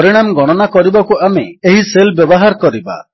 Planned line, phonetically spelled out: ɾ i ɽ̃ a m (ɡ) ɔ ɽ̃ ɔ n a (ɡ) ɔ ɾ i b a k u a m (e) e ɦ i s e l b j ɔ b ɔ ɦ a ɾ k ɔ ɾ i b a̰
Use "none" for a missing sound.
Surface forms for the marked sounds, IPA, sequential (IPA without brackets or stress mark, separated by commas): ɡ, k, e